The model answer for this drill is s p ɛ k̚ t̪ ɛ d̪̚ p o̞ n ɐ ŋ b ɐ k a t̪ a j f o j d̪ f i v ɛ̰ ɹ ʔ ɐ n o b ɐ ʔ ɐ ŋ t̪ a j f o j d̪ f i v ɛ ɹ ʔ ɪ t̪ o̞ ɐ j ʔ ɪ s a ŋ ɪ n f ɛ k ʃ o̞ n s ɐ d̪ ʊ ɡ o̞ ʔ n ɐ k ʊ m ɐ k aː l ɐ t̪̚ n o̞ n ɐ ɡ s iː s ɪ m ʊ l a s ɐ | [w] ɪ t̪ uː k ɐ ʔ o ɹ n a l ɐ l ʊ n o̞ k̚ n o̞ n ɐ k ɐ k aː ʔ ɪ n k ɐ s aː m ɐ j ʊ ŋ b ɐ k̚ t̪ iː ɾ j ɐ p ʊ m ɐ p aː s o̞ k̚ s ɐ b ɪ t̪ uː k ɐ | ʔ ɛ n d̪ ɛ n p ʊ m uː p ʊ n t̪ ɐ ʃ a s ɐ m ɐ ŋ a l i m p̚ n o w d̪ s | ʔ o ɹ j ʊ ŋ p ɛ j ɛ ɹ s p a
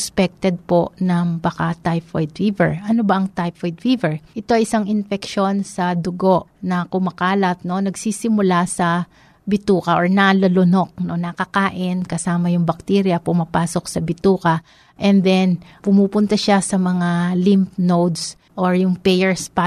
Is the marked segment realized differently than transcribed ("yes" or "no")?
yes